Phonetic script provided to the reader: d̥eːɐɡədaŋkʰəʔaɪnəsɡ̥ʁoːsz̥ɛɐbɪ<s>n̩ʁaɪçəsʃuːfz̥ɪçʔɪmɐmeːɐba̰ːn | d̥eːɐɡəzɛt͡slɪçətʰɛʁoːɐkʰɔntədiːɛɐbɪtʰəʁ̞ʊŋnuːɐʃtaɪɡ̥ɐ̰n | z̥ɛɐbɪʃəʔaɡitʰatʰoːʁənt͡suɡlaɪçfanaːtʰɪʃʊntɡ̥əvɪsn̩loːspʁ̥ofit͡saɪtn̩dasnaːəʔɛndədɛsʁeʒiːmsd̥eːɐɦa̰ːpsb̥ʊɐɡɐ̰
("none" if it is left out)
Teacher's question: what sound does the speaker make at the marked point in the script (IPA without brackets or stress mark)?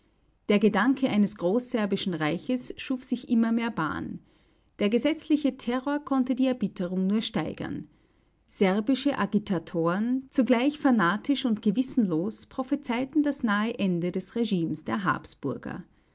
ʃ